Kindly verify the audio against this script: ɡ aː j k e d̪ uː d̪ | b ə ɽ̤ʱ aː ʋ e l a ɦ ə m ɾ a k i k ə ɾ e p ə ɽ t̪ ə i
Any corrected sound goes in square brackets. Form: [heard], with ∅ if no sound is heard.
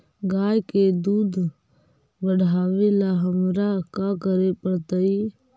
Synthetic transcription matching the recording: ɡ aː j k e d̪ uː d̪ | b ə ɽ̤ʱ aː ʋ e l a ɦ ə m ɾ a k [a] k ə ɾ e p ə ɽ t̪ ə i

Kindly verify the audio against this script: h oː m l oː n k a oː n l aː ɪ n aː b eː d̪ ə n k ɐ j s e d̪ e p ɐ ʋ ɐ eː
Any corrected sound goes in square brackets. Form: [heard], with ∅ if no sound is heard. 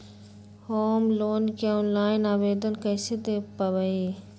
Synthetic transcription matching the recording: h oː m l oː n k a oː n l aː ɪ n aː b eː d̪ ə n k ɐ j s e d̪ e p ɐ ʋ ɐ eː

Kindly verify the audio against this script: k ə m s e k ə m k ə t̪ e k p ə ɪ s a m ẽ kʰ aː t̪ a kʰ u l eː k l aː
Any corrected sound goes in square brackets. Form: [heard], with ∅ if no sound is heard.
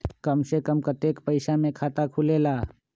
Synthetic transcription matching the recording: k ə m s e k ə m k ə t̪ e k p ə ɪ s a m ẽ kʰ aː t̪ a kʰ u l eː [∅] l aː

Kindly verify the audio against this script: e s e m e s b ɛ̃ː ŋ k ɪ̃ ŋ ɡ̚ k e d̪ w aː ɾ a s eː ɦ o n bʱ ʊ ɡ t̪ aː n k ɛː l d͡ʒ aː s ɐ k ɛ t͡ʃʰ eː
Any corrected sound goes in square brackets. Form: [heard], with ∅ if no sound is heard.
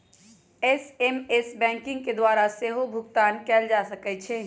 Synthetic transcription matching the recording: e s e m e s b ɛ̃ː ŋ k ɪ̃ ŋ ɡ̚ k e d̪ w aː ɾ a s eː ɦ o [∅] bʱ ʊ ɡ t̪ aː n k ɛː l d͡ʒ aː s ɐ k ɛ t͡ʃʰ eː

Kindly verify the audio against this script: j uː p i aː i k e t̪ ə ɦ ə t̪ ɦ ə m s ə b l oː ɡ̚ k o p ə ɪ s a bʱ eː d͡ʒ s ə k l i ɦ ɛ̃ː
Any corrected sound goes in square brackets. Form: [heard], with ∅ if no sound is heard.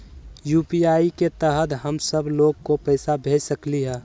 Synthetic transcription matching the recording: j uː p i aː i k e t̪ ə ɦ ə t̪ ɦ ə m s ə b l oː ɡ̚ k o p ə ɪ s a bʱ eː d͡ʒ s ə k l i ɦ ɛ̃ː

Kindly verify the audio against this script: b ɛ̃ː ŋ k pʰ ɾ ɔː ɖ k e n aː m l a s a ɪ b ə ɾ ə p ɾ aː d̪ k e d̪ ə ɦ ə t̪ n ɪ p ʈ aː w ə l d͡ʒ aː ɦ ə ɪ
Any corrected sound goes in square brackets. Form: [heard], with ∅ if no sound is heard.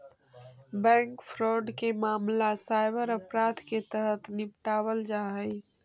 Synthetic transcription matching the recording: b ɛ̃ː ŋ k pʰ ɾ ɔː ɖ k e [m] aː m l a s a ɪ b ə ɾ ə p ɾ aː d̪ k e [t̪] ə ɦ ə t̪ n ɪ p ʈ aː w ə l d͡ʒ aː ɦ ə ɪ

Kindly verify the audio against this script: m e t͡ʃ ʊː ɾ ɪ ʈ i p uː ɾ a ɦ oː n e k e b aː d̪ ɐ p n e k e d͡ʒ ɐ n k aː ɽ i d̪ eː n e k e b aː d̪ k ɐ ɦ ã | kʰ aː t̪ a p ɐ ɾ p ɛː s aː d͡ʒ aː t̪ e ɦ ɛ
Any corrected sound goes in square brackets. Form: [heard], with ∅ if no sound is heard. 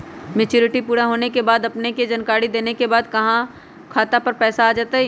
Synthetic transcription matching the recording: m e t͡ʃ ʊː ɾ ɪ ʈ i p uː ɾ a ɦ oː n e k e b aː d̪ ɐ p n e k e d͡ʒ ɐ n k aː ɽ i d̪ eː n e k e b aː d̪ k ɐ ɦ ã | kʰ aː t̪ a p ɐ ɾ p ɛː s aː d͡ʒ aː t̪ [a] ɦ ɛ

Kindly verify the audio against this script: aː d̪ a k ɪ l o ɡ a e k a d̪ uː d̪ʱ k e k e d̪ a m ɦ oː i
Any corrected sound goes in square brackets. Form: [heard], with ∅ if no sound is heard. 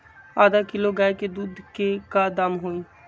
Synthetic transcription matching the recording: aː d̪ a k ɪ l o ɡ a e k [e] d̪ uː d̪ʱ k e k [a] d̪ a m ɦ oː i

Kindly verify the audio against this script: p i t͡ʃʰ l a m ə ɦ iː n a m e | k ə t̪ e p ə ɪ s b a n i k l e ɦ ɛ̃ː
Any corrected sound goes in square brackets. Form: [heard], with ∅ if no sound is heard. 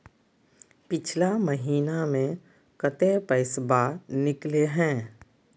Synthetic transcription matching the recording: p [ɪ] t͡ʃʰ l a m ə ɦ iː n a m [ẽ] | k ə t̪ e p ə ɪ s b a n [ɪ] k l e ɦ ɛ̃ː

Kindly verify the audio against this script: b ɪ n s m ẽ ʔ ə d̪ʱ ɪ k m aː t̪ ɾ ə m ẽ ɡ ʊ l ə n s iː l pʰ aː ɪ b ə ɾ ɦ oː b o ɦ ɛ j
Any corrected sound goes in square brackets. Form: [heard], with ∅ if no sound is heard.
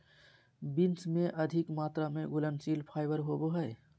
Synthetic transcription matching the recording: b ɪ n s m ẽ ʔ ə d̪ʱ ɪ k m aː t̪ ɾ [a] m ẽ ɡ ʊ l ə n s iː l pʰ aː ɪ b ə ɾ ɦ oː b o ɦ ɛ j

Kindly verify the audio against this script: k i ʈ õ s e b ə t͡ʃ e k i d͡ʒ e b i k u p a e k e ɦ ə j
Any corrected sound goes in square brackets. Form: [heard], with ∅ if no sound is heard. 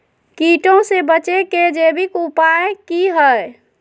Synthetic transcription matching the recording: k i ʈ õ s e b ə t͡ʃ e k [e] d͡ʒ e b i k u p a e k [i] ɦ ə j

